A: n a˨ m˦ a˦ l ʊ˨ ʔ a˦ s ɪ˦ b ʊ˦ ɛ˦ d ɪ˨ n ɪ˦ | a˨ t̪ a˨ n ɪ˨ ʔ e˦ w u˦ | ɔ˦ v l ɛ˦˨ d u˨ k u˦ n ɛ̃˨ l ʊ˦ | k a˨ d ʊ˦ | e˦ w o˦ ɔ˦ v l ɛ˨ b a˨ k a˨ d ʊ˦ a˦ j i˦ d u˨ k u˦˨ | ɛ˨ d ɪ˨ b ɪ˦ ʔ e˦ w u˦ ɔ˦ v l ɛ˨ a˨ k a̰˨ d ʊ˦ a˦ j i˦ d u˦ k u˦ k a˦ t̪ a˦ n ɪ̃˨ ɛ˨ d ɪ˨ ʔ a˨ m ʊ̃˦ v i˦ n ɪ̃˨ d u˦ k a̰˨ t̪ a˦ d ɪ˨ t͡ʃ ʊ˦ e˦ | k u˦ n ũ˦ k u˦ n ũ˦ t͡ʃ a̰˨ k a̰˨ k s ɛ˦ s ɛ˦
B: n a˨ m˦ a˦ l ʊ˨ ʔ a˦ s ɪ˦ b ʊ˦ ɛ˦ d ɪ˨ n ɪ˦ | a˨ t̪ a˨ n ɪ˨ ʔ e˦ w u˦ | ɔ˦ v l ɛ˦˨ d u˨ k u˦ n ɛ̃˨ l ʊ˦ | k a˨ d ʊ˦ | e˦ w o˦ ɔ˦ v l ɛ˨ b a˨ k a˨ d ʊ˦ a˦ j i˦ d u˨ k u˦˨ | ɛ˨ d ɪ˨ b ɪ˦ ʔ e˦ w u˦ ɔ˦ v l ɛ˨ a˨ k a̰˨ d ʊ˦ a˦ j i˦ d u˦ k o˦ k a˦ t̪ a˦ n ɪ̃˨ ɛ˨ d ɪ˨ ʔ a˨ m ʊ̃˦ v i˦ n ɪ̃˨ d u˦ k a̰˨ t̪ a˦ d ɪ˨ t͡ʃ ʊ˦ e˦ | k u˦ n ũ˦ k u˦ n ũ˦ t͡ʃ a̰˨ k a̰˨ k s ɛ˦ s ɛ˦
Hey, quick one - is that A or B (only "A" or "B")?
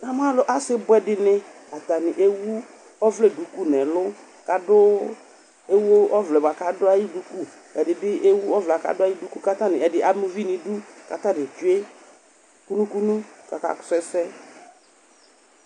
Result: A